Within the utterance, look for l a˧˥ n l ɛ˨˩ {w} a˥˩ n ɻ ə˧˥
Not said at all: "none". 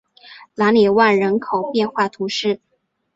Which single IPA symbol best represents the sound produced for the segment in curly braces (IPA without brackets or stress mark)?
w